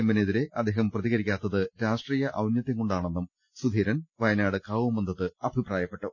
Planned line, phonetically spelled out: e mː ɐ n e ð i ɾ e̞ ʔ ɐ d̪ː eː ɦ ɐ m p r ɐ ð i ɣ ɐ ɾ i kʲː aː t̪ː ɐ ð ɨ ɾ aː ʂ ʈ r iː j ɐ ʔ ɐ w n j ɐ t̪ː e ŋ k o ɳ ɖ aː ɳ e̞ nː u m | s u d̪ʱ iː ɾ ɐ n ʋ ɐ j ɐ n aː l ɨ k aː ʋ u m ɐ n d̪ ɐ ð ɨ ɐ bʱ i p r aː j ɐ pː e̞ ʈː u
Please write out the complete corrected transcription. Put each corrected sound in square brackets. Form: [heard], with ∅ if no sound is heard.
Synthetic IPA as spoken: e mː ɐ n e ð i ɾ e̞ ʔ ɐ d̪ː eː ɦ ɐ m p r ɐ ð i ɣ ɐ ɾ i kʲː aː t̪ː ɐ ð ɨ ɾ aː ʂ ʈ r iː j ɐ ʔ ɐ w n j ɐ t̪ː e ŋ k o ɳ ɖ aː ɳ e̞ nː u m | s u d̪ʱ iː ɾ ɐ n ʋ ɐ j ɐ n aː [ɽ] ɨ k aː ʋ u m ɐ n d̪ ɐ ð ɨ ɐ bʱ i p r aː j ɐ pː e̞ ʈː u